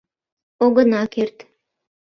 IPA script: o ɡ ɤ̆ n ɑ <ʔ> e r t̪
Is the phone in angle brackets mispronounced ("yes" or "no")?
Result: yes